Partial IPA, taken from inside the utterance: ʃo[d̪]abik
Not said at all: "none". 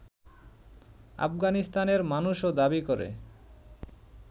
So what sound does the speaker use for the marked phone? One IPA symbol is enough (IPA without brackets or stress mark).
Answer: d̪